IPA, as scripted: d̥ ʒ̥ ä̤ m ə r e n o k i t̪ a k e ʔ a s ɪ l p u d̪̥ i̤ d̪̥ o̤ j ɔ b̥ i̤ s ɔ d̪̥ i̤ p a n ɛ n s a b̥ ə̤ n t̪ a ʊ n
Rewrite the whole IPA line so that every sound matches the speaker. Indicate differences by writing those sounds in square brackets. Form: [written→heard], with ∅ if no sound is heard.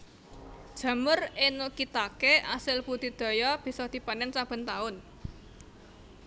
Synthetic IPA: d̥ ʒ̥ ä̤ m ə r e n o k i t̪ a k e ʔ a s ɪ l p u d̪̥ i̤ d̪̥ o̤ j ɔ b̥ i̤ s ɔ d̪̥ i̤ p a n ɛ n s a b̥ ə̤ n t̪ a ʊ n